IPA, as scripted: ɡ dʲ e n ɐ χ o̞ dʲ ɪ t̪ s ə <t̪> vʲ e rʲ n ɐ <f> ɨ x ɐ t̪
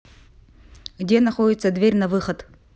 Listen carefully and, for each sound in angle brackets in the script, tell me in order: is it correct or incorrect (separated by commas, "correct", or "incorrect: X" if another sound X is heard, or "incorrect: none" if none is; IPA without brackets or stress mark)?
incorrect: d̪, incorrect: v